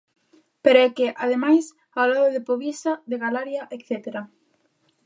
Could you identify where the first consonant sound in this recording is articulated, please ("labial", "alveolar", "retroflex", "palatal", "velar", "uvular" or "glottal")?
labial